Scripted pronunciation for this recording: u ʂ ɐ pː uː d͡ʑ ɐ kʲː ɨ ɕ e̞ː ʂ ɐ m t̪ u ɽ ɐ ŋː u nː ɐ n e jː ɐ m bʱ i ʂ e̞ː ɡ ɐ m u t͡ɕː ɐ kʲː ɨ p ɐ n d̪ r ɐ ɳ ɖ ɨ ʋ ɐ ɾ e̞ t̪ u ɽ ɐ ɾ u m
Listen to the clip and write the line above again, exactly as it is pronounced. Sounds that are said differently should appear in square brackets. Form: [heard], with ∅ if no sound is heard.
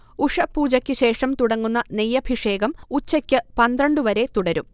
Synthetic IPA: u ʂ ɐ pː uː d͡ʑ ɐ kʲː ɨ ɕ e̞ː ʂ ɐ m t̪ u ɽ ɐ ŋː u nː ɐ n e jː ɐ [∅] bʱ i ʂ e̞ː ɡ ɐ m u t͡ɕː ɐ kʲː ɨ p ɐ n d̪ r ɐ ɳ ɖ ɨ ʋ ɐ ɾ e̞ t̪ u ɽ ɐ ɾ u m